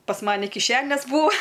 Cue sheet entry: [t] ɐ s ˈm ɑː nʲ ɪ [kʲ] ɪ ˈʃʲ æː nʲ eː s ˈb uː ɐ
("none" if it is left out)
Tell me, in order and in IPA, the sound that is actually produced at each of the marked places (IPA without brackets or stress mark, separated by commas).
p, kʲ